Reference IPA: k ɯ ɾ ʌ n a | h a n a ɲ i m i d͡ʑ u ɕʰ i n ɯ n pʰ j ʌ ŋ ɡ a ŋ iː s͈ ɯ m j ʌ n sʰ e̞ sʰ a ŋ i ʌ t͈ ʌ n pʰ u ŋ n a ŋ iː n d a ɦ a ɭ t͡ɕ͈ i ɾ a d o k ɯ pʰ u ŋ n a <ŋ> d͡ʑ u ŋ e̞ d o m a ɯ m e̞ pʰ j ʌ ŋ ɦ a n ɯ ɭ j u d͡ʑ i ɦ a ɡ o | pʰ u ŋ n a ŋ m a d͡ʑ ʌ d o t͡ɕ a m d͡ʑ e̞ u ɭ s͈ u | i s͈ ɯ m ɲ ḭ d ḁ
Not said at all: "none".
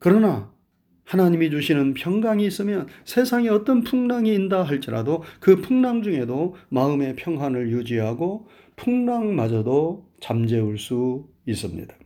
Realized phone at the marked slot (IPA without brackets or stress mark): ŋ